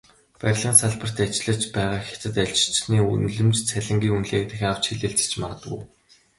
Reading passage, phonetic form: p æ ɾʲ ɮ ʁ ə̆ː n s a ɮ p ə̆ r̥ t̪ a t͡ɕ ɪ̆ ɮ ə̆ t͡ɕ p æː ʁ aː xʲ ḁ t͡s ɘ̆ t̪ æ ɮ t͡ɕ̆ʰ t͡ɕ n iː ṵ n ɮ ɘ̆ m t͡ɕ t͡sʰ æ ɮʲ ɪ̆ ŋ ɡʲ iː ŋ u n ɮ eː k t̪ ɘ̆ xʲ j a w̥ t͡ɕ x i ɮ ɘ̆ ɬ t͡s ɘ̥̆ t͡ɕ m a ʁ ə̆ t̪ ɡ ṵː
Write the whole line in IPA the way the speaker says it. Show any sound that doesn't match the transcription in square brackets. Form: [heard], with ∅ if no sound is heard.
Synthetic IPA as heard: p æ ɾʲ ɮ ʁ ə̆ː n s a ɮ p ə̆ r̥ t̪ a t͡ɕ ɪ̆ ɮ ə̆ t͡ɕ p æː ʁ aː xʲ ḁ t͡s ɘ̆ t̪ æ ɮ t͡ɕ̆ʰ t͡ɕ n iː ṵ n ɮ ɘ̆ m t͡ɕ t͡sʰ æ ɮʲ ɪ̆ ŋ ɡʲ iː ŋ u n ɮ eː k t̪ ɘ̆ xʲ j a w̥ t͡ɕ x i ɮ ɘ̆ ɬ t͡s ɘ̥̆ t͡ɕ m a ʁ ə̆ t̪ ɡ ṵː